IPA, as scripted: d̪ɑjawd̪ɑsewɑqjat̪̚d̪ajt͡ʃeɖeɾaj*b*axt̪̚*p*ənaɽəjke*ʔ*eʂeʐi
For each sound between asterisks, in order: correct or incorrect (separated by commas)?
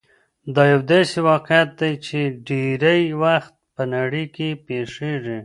incorrect, correct, incorrect